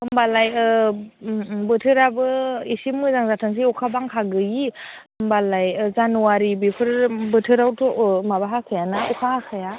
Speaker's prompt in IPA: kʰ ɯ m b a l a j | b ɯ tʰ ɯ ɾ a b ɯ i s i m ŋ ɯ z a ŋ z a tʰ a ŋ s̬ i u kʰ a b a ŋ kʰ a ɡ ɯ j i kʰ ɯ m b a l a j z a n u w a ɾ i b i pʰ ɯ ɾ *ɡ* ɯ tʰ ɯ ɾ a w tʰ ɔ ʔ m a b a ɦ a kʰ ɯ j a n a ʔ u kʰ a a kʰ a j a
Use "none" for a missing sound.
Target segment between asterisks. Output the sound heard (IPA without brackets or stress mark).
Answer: b